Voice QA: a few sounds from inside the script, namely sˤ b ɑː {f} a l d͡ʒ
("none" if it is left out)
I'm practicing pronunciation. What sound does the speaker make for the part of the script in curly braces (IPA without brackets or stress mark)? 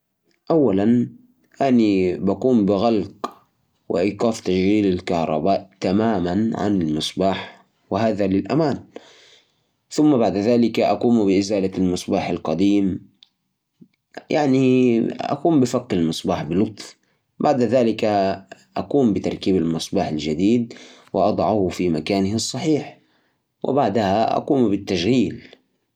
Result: ħ